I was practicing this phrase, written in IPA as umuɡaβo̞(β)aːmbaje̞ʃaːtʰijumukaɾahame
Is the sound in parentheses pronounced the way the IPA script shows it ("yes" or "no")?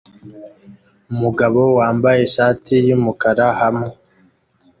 no